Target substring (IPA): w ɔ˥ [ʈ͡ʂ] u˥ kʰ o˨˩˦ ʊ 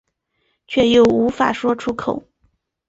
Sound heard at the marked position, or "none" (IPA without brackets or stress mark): ʈ͡ʂʰ